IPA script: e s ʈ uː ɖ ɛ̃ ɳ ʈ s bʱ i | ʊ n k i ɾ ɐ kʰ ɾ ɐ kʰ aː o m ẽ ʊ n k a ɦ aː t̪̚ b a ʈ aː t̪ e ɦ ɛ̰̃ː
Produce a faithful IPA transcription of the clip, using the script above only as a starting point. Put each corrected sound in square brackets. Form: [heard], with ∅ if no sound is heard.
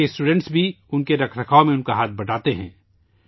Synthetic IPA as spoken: e s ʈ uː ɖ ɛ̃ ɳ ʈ s bʱ i | ʊ n k [e] ɾ ɐ kʰ ɾ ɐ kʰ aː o m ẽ ʊ n k a ɦ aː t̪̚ b [ɐ] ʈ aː t̪ e ɦ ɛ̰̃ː